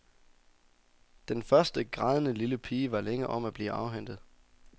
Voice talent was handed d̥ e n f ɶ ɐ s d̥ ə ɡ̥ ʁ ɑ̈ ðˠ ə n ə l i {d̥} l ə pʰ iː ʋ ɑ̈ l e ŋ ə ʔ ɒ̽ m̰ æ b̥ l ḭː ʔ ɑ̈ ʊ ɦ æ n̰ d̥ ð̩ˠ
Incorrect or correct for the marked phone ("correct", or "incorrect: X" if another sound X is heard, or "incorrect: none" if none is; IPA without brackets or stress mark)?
incorrect: none